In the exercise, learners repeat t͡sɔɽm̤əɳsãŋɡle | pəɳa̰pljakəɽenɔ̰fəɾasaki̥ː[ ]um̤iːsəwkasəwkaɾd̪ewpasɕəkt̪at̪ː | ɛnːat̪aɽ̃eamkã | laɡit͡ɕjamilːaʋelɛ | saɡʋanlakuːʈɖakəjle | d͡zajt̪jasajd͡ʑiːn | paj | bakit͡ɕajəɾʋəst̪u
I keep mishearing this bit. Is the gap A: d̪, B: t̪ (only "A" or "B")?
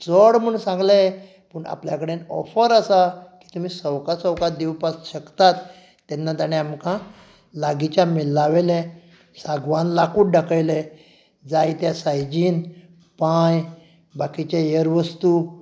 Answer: B